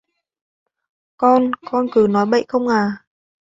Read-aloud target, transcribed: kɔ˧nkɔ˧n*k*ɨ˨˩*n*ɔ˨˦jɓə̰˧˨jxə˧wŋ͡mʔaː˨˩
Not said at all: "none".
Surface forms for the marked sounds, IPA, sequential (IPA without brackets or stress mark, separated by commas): k, n